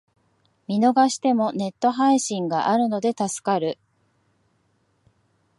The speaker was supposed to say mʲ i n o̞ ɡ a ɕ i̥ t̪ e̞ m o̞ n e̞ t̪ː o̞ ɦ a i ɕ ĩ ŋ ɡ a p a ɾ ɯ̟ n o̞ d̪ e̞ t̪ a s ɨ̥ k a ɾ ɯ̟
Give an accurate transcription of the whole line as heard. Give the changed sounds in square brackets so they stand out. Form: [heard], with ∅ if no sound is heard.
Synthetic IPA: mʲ i n o̞ ɡ a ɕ i̥ t̪ e̞ m o̞ n e̞ t̪ː o̞ ɦ a i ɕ ĩ ŋ ɡ a [ʔ] a ɾ ɯ̟ n o̞ d̪ e̞ t̪ a s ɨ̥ k a ɾ ɯ̟